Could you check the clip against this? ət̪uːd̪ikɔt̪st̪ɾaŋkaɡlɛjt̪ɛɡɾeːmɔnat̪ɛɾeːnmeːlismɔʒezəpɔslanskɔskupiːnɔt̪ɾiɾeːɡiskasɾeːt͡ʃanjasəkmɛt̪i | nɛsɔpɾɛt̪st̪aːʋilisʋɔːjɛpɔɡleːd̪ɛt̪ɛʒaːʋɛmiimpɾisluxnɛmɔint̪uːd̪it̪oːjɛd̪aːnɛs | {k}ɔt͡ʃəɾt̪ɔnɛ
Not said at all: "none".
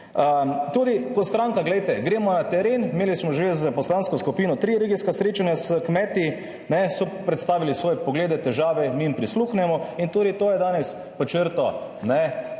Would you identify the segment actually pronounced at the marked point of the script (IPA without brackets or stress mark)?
p